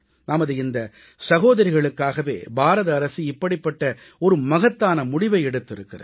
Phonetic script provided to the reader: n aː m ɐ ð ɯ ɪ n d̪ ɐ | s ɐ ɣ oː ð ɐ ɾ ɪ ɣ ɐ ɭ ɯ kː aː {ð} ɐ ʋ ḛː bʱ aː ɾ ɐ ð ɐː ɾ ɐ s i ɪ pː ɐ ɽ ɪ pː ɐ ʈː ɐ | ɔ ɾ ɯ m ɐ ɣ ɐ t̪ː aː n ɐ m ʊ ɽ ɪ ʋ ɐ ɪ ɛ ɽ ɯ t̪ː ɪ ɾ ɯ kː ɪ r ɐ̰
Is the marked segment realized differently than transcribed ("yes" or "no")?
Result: yes